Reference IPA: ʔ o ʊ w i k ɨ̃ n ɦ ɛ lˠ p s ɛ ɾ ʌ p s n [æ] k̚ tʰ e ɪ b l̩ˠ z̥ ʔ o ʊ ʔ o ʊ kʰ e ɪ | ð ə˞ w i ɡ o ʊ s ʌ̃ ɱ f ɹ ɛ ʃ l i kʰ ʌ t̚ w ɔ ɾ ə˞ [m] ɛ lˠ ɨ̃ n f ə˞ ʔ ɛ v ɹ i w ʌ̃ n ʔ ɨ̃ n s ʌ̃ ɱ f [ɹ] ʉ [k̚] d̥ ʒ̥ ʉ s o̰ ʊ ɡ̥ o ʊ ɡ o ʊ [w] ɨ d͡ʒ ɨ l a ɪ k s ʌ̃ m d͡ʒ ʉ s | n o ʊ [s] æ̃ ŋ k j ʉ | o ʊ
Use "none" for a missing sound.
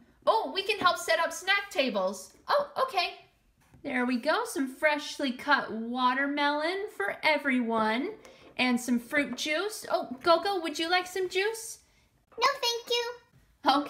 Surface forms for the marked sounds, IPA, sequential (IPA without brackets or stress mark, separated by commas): æ, m, ɹ, t̚, w, θ